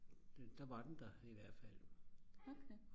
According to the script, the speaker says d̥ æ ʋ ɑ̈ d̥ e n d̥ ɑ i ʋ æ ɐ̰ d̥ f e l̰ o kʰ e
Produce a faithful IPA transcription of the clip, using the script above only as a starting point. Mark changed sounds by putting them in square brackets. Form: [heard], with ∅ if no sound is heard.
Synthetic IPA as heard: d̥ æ ʋ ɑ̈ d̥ e n d̥ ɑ i ʋ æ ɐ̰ d̥ f [æ] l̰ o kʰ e